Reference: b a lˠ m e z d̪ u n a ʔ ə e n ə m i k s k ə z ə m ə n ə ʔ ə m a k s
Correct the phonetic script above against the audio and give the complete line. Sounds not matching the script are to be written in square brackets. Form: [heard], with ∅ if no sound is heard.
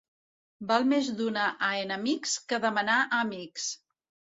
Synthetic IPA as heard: b a lˠ m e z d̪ u n a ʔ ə e n ə m i k s k ə [ð] ə m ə n [a] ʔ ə m [i] k s